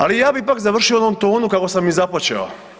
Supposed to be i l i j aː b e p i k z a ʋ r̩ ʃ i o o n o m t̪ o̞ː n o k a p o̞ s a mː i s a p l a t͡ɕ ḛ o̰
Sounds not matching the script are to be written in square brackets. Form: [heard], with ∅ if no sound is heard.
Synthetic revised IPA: [a] l i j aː b [i] p [a] k z a ʋ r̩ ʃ i o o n o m t̪ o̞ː n [u] k a [k] o̞ s a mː i [z] a p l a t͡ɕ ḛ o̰

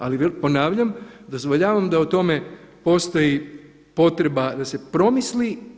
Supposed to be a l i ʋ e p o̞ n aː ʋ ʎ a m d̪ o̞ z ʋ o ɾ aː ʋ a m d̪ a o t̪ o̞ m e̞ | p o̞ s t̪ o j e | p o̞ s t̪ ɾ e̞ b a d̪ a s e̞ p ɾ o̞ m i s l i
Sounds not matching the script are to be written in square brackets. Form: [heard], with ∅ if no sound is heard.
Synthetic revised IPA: a l i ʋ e p o̞ n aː ʋ ʎ a m d̪ o̞ z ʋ o [ʎ] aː ʋ a m d̪ a [u] t̪ o̞ m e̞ | p o̞ s t̪ o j [i] | p o̞ [∅] t̪ ɾ e̞ b a d̪ a s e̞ p ɾ o̞ m i s l i

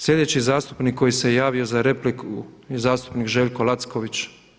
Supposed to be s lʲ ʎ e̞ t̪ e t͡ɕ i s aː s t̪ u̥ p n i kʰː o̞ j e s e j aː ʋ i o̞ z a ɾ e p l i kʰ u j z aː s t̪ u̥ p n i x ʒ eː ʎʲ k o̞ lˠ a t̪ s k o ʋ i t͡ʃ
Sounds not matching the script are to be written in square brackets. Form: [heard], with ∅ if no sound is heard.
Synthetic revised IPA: s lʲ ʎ e̞ [d̪] e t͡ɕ i [z] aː s t̪ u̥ p n i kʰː o̞ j [i] s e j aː ʋ i o̞ z a ɾ e p l i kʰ u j z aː s t̪ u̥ p n i [k] ʒ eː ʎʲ k o̞ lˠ a t̪ s k o ʋ i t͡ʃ

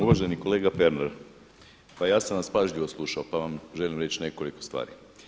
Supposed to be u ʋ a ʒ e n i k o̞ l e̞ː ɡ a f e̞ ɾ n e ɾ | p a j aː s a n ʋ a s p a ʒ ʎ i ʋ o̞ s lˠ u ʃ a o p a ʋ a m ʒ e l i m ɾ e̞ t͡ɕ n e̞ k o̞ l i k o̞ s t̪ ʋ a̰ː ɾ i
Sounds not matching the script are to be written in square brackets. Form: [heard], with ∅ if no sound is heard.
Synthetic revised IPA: u ʋ a ʒ e n i k o̞ l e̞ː ɡ a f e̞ ɾ n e ɾ | p a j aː s a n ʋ a s p a ʒ ʎ i ʋ o̞ s lˠ u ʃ a o p a ʋ a m ʒ e l i m ɾ e̞ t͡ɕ n e̞ k o̞ l i k o̞ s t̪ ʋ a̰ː ɾ i

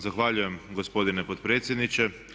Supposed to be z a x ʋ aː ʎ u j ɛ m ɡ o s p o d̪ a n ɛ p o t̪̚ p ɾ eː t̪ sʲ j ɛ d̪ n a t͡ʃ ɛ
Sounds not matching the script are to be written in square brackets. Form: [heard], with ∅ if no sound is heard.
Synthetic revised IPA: z a x ʋ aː ʎ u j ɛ m ɡ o s p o d̪ [i] n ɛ p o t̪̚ p ɾ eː t̪ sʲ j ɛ d̪ n [i] t͡ʃ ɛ

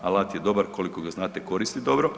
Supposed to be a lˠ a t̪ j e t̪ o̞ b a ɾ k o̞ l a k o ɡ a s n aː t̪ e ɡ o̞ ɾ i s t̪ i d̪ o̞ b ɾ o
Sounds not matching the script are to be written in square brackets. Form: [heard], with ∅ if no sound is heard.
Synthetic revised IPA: a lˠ a t̪ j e [d̪] o̞ b a ɾ k o̞ l [i] k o ɡ a [z] n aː t̪ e [k] o̞ ɾ i s t̪ i d̪ o̞ b ɾ o

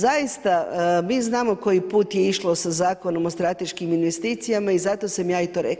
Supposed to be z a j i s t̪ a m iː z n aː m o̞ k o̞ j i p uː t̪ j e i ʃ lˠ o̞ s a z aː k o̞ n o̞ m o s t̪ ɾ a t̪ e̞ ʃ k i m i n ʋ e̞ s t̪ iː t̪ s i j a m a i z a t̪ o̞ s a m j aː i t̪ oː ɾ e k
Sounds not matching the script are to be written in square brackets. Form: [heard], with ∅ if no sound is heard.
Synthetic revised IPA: z a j i s t̪ a m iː z n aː m o̞ k o̞ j i p uː t̪ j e i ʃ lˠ o̞ s a z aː k o̞ n o̞ m o s t̪ ɾ a t̪ e̞ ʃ k i m i n ʋ e̞ s t̪ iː t̪ s i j a m a i z a t̪ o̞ s a m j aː i t̪ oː ɾ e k

